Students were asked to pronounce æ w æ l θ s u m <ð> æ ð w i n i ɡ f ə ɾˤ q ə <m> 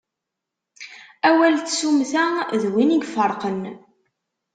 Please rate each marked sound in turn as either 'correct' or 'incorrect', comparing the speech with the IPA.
incorrect: θ, incorrect: n

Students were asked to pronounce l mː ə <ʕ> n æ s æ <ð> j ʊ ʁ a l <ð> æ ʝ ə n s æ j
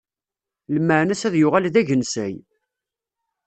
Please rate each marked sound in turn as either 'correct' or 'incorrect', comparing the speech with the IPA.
correct, correct, correct

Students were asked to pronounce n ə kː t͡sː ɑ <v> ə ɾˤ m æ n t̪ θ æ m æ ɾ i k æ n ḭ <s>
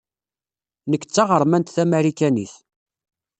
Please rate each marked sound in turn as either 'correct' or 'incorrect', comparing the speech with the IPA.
incorrect: ʁ, incorrect: θ

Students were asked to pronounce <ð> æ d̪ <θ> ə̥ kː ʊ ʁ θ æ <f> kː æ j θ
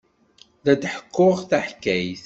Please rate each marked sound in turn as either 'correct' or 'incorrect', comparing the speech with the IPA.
correct, incorrect: ħ, incorrect: ħ

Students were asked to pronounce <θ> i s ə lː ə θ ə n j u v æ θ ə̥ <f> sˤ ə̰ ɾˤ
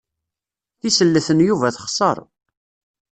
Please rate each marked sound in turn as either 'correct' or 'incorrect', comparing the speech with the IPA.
correct, incorrect: χ

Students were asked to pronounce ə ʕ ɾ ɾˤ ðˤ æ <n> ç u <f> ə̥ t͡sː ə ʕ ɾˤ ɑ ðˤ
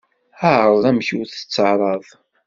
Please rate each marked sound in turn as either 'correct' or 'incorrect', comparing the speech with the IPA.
incorrect: m, incorrect: θ

